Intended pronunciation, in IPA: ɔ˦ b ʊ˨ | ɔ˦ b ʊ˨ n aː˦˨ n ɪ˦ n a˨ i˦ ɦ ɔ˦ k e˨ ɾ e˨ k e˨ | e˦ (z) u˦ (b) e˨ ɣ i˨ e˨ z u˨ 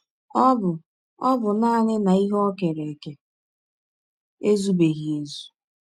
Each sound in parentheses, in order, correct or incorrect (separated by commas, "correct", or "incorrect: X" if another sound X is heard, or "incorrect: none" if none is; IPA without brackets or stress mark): correct, correct